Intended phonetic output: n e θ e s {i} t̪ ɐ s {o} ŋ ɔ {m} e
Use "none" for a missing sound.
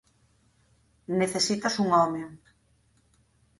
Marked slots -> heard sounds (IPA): i, u, m

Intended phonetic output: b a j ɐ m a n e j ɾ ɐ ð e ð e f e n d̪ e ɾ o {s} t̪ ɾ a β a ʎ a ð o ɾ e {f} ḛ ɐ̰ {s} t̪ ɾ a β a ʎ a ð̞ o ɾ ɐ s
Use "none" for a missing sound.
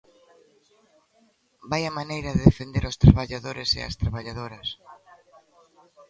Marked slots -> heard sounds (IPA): s, s, s

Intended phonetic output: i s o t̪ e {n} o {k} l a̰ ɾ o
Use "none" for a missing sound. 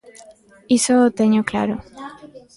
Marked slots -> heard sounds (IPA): ɲ, k

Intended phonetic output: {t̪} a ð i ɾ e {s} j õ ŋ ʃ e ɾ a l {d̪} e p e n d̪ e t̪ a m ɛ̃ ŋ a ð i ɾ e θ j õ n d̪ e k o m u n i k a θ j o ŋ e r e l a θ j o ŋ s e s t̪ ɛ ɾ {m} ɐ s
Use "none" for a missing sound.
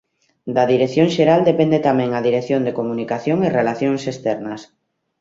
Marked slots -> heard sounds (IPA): d̪, θ, d̪, n

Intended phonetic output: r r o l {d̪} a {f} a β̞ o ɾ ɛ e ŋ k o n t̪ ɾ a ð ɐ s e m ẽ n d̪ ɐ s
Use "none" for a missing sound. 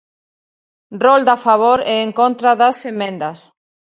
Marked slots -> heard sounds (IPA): d̪, f

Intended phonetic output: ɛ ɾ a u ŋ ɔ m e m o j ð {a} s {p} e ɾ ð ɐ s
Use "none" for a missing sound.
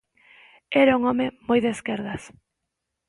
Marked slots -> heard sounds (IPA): e, k

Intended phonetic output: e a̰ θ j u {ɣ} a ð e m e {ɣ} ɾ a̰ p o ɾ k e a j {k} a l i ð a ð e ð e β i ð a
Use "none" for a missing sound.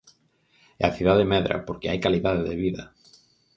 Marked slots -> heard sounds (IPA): ð, ð, k

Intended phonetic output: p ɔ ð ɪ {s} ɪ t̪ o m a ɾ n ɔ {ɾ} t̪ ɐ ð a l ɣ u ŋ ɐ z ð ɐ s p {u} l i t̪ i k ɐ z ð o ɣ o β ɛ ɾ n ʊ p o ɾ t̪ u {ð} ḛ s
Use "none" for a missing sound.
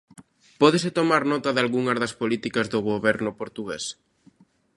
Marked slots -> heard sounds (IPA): s, none, o, ɣ

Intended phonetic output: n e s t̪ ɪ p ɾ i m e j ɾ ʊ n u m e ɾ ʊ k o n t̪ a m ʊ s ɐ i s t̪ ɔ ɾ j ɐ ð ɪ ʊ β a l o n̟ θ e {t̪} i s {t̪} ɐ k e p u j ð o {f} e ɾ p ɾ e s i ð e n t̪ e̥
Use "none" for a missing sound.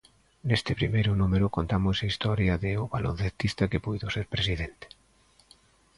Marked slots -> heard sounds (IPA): t̪, t̪, s

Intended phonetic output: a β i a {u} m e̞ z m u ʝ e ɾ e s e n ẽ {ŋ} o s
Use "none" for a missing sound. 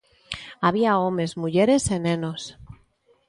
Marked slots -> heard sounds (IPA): o, n

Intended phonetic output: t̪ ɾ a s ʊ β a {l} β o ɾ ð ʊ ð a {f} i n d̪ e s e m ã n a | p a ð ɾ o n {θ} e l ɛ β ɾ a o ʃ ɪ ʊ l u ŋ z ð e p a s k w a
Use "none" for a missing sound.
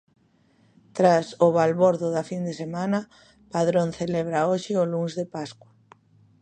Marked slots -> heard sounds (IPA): l, f, θ

